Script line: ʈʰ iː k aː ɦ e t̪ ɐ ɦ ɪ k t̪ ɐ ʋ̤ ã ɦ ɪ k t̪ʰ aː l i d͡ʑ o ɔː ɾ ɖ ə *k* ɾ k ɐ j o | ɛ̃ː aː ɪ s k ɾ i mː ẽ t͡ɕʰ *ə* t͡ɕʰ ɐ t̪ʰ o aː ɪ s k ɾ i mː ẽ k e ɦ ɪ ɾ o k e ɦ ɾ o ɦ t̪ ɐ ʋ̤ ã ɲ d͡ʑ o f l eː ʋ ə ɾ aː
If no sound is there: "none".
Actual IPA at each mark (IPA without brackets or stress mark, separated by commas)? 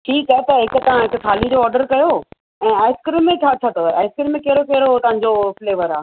none, a